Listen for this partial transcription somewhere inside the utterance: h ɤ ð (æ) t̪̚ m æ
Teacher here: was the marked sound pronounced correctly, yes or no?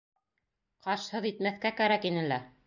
no